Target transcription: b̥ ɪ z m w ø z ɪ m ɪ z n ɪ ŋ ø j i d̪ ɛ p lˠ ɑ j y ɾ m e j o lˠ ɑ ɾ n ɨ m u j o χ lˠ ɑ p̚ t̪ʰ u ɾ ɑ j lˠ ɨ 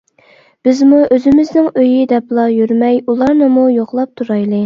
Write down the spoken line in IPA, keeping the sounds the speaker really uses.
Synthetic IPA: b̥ ɪ z m u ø z ɪ m ɪ z n ɪ ŋ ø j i d̪ ɛ p lˠ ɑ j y ɾ m ɛ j u lˠ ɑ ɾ n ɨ m u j o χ lˠ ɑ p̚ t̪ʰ u ɾ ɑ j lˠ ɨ